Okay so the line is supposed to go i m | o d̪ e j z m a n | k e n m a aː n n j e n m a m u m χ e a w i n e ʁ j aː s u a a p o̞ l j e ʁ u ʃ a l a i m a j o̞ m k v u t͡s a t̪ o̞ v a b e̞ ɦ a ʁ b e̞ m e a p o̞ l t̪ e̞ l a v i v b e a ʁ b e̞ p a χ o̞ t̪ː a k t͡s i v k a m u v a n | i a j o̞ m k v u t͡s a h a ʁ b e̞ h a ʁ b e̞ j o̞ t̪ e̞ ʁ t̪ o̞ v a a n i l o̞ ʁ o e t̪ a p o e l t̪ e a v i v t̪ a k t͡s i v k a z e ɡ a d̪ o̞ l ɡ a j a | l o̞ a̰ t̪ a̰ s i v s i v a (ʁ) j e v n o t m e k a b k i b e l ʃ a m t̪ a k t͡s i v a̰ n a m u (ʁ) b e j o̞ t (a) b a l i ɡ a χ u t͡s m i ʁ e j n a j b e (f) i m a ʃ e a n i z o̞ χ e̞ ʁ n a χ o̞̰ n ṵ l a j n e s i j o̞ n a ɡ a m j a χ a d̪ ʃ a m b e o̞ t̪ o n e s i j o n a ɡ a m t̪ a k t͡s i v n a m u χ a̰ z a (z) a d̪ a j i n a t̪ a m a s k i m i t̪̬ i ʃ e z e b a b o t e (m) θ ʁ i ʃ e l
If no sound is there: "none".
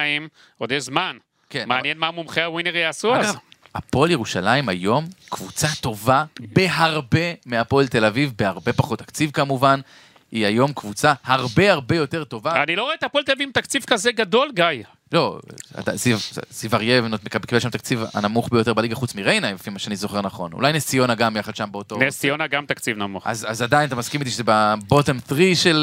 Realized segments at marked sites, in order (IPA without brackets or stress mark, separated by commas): ʁ, χ, e, f, z, m